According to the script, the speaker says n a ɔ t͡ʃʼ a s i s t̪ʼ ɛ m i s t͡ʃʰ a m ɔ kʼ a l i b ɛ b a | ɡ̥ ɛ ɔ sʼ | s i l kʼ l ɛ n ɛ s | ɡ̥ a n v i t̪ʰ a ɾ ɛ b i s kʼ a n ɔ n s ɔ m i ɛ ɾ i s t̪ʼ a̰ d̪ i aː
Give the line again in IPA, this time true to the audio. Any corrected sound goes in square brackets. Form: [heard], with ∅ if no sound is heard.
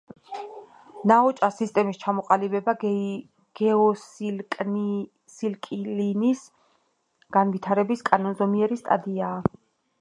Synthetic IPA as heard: n a ɔ t͡ʃʼ a s i s t̪ʼ ɛ m i s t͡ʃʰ a m ɔ [qʼ] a l i b ɛ b a | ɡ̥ ɛ ɔ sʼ | s i l kʼ l [i] n [i] s | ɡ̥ a n v i t̪ʰ a ɾ ɛ b i s kʼ a n ɔ n [z] ɔ m i ɛ ɾ i s t̪ʼ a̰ d̪ i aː